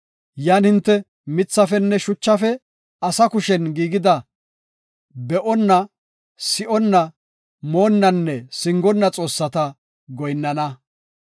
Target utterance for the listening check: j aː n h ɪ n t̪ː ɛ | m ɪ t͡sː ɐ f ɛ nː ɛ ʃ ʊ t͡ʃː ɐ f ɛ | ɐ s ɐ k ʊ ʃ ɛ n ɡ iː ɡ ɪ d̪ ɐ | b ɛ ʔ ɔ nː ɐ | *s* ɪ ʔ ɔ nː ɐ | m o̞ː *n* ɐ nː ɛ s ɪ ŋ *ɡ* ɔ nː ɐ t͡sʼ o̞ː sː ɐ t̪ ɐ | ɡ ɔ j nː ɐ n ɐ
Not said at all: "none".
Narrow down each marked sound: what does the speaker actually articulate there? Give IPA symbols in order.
s, nː, ɡ

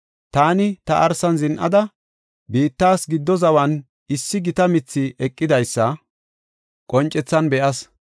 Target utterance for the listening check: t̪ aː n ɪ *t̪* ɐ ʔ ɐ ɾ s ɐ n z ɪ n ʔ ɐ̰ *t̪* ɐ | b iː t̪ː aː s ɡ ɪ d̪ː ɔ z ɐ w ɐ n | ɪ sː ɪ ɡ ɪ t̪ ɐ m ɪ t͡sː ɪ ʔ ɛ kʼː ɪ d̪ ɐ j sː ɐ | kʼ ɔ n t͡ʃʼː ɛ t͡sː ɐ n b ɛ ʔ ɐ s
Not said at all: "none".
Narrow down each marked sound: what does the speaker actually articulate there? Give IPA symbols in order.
t̪, d̪

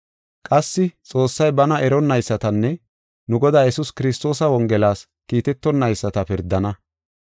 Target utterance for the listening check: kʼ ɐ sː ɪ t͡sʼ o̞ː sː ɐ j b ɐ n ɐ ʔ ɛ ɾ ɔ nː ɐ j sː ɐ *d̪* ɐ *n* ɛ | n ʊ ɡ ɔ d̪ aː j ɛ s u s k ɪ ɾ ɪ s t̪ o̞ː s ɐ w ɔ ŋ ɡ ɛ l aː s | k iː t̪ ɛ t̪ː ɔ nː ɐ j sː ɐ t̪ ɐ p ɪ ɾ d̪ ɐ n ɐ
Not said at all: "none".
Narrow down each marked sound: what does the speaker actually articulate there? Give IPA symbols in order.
t̪, nː

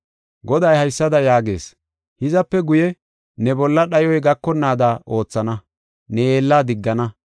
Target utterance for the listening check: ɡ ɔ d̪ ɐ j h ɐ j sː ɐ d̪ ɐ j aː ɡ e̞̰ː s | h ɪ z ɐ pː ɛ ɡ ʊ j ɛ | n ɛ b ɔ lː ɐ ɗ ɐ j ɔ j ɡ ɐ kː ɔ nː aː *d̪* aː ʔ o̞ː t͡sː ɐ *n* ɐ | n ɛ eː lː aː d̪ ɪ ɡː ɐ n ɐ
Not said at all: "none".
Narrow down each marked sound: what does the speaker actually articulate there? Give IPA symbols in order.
d̪, n

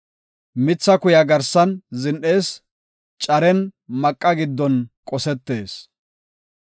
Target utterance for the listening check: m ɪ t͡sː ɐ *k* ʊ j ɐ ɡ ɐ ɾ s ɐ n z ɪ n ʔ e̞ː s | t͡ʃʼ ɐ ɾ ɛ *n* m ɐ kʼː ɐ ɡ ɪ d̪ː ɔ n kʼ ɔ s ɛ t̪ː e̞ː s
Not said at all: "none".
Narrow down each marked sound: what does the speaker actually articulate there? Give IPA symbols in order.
k, n

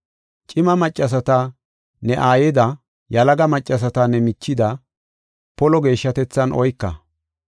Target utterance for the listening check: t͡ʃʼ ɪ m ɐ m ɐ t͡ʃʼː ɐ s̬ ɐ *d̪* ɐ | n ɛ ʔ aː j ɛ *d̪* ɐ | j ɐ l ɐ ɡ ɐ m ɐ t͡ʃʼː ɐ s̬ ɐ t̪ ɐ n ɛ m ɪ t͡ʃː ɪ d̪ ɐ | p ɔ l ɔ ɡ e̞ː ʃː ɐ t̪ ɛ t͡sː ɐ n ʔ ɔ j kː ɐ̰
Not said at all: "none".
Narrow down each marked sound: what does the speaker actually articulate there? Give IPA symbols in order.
t̪, d̪

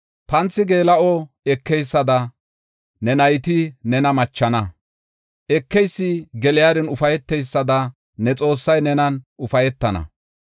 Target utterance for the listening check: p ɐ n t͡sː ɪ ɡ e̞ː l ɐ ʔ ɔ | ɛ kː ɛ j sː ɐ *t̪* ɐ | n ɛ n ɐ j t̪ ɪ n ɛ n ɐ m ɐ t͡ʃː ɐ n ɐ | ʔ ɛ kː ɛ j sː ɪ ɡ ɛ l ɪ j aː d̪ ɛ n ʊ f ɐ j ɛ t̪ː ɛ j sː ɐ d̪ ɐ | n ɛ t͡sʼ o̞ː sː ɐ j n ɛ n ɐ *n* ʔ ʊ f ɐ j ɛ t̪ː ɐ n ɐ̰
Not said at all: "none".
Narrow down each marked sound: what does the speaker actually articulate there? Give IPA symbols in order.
d̪, n

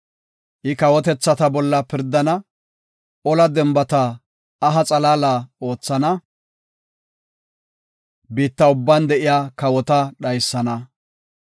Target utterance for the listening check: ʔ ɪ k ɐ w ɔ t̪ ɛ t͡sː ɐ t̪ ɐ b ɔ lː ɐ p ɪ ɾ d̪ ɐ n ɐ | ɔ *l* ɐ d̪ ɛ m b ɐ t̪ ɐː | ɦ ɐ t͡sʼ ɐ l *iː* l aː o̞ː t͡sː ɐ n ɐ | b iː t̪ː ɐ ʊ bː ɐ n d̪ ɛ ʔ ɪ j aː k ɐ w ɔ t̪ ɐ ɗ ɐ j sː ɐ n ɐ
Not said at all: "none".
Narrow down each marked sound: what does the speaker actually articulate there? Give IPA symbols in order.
l, aː

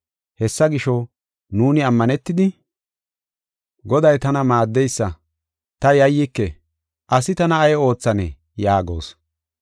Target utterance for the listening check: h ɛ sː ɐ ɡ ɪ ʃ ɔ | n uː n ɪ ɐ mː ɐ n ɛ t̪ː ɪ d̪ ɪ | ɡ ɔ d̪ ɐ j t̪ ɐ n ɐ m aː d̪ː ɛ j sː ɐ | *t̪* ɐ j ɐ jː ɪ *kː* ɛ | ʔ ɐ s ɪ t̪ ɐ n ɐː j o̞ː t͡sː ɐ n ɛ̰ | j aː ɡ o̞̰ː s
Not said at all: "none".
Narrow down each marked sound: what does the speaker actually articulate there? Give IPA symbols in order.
t̪, kː

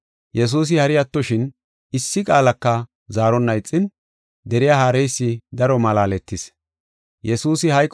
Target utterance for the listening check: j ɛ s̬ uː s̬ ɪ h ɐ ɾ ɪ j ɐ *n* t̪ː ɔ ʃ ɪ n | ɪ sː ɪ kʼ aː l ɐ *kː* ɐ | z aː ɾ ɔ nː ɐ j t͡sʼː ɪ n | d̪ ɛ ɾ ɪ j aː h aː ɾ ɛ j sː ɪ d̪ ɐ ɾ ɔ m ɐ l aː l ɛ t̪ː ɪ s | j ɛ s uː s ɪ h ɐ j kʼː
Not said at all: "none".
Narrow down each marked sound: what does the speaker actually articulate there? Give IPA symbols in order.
none, kː

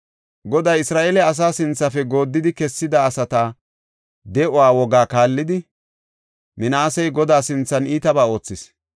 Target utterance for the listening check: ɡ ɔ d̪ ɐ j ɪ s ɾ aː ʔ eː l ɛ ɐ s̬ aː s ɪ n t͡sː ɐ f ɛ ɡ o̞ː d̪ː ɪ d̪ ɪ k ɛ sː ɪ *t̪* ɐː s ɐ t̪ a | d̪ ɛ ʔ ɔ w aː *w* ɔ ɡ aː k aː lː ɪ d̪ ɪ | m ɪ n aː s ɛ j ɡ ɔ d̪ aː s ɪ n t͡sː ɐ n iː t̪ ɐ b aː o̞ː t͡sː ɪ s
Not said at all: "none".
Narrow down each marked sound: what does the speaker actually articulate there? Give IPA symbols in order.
d̪, w

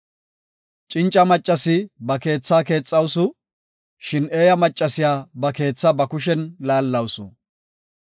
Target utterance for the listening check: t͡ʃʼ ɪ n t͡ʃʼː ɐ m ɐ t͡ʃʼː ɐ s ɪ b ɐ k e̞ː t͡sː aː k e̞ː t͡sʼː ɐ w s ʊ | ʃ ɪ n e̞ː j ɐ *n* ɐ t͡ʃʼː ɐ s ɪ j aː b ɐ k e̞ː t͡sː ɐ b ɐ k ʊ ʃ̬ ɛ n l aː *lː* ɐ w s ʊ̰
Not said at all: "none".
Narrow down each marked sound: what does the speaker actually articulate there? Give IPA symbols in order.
m, lː

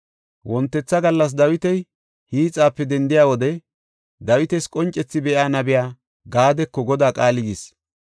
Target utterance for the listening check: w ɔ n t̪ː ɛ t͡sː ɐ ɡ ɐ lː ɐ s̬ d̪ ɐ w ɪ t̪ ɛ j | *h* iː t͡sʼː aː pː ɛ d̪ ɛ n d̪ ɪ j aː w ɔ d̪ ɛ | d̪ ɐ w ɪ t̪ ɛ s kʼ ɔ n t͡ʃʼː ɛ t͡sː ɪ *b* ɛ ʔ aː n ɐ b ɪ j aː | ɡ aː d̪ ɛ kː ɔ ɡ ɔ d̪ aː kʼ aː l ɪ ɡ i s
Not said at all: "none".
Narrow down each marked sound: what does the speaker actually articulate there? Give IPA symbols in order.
h, b

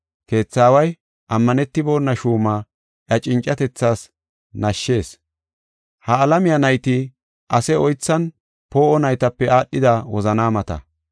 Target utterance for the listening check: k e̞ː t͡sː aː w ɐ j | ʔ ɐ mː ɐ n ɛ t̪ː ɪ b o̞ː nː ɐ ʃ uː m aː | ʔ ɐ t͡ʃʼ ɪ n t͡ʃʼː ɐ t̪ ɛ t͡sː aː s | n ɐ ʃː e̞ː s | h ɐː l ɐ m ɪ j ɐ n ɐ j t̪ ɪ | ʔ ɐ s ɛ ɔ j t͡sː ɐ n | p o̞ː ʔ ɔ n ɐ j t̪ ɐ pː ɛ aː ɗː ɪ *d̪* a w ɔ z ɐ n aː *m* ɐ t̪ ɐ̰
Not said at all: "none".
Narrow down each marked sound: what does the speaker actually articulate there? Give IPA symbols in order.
d̪, m

